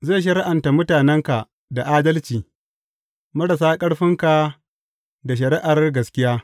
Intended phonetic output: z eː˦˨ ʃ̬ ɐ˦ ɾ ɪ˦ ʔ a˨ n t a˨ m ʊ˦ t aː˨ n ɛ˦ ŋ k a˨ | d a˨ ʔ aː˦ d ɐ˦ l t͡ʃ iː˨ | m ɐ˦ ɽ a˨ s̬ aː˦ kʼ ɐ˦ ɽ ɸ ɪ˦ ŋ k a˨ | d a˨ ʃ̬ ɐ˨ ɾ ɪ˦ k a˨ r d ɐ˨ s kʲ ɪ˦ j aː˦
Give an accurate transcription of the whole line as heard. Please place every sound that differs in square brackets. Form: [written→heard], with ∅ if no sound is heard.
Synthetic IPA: z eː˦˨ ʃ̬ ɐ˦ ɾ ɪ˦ ʔ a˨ n t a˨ m ʊ˦ t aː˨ n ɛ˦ ŋ k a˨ | d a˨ ʔ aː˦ d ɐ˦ l t͡ʃ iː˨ | m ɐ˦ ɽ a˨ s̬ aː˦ kʼ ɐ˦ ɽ ɸ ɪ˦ ŋ k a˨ | d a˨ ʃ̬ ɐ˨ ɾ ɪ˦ [k→ʔ] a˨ r [d→ɡ] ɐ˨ s kʲ ɪ˦ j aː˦